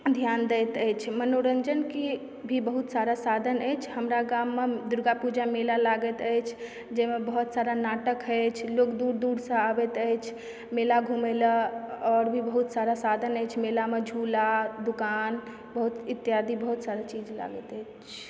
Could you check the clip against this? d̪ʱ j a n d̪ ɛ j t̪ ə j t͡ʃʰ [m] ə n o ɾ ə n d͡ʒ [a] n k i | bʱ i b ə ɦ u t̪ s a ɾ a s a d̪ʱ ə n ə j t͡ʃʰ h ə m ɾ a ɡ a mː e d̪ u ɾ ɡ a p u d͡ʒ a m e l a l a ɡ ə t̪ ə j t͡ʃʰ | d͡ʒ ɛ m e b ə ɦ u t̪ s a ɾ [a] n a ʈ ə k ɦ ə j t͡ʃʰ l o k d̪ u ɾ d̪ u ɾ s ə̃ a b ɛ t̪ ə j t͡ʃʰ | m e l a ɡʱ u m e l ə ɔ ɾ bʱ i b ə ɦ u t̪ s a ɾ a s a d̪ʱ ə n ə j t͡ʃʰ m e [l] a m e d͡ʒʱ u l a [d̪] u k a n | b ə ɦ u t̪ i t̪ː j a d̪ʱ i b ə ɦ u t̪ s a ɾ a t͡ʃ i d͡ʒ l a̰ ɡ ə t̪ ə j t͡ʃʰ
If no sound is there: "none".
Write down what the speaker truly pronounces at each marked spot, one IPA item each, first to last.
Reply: m, ə, a, l, d̪

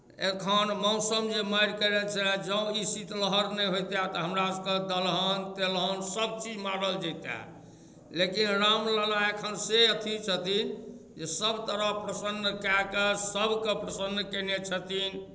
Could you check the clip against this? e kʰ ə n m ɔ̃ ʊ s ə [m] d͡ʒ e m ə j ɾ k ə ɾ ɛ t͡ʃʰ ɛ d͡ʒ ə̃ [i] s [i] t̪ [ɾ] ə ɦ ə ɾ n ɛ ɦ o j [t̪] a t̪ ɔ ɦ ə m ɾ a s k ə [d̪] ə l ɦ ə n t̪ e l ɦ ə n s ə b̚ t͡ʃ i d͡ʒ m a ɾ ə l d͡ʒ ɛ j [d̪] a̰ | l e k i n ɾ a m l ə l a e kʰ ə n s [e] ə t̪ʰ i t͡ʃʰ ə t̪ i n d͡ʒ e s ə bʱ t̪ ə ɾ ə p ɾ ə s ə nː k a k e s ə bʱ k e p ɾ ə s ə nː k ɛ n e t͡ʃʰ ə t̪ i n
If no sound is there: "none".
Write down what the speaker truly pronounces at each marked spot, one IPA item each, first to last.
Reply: m, i, i, l, t̪, d̪, t̪, e

